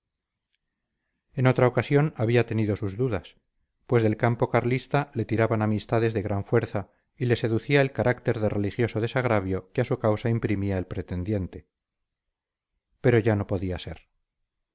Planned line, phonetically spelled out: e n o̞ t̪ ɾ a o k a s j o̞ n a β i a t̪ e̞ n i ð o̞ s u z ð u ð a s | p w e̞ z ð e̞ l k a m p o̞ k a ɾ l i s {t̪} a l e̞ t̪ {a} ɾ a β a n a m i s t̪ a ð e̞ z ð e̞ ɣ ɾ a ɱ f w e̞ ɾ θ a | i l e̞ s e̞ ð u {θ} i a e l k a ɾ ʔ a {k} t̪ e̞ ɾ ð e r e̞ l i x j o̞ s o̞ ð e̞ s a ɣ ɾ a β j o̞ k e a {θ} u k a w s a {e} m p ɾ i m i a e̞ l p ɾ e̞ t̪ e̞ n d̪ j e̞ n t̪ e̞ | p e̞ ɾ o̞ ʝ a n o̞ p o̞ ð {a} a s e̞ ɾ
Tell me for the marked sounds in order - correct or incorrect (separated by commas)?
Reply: correct, incorrect, correct, correct, incorrect, incorrect, incorrect